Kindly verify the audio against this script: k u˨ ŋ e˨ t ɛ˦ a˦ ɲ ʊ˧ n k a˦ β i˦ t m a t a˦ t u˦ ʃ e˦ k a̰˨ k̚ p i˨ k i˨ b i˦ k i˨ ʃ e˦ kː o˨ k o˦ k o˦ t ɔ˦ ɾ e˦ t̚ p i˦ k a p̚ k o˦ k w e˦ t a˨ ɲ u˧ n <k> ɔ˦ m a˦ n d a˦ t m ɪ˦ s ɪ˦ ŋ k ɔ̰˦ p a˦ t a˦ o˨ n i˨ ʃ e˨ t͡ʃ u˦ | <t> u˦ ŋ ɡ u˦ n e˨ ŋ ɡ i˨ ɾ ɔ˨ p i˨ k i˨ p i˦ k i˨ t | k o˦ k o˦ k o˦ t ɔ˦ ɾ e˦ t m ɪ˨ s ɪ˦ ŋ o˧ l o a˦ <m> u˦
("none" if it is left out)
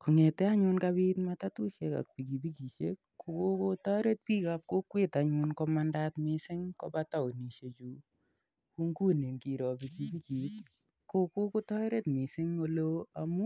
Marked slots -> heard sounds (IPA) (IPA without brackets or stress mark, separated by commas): k, k, m